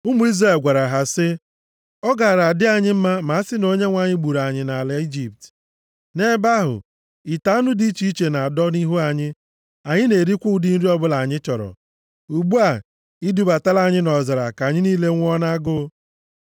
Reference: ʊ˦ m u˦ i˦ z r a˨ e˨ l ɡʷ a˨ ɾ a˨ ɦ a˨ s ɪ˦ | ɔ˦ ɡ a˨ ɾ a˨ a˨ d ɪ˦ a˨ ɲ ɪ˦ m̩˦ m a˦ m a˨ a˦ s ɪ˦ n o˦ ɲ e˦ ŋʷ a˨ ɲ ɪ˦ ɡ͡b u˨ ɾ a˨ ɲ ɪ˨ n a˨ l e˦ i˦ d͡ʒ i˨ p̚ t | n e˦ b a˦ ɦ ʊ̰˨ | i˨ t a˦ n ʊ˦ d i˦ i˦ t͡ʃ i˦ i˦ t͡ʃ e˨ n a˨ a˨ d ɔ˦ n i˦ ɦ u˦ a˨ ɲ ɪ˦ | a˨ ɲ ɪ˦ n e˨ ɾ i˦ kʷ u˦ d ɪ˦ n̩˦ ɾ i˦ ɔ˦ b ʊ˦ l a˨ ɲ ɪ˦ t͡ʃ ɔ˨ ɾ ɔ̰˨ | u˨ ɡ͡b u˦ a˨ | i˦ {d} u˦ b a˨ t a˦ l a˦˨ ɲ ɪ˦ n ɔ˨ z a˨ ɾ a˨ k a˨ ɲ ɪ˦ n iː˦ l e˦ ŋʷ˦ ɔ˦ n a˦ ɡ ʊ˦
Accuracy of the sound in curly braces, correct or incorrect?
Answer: correct